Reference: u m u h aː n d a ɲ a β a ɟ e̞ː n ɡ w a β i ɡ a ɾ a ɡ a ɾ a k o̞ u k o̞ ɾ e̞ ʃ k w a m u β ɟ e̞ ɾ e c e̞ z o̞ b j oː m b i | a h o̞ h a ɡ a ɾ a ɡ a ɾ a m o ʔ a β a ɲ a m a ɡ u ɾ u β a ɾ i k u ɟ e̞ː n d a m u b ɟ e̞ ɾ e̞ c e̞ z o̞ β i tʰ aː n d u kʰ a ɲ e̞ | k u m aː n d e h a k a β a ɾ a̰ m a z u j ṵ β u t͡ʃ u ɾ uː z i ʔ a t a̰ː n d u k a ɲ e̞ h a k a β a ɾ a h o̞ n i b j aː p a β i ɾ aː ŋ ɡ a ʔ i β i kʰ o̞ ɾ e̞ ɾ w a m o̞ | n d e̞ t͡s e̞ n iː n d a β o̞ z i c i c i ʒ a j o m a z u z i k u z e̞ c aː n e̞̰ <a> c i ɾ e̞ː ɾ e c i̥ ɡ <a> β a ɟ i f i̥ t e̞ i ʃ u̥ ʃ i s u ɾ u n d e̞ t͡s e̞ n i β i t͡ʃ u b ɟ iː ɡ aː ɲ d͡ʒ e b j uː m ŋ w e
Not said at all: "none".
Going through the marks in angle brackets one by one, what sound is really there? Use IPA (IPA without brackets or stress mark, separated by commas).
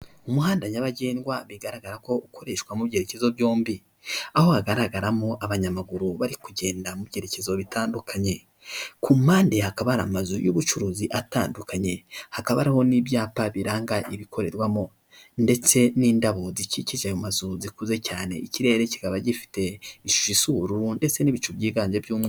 i, a